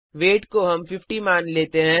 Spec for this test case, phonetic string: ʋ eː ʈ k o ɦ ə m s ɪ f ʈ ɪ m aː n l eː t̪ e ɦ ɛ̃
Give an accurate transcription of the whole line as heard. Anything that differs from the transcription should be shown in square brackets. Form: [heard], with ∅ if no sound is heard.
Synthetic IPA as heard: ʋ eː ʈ k o ɦ [ɐ] m [f] ɪ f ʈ [i] m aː n l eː t̪ e ɦ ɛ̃